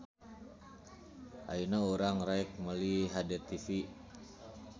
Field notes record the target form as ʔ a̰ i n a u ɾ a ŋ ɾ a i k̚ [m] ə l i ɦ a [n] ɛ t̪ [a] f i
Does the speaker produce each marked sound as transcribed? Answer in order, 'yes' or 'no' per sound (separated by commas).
yes, no, no